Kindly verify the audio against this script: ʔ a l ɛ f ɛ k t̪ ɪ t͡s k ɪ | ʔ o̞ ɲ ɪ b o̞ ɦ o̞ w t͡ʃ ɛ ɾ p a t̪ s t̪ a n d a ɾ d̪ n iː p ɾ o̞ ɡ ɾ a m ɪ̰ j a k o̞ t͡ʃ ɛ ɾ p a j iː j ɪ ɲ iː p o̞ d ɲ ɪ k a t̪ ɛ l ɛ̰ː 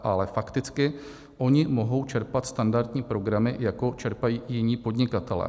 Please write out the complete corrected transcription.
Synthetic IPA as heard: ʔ a l ɛ f a k t̪ ɪ t͡s k ɪ | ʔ o̞ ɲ ɪ m o̞ ɦ o̞ w t͡ʃ ɛ ɾ p a t̪ s t̪ a n d a ɾ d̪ ɲ iː p ɾ o̞ ɡ ɾ a m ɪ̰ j a k o̞ t͡ʃ ɛ ɾ p a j iː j ɪ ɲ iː p o̞ d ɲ ɪ k a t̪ ɛ l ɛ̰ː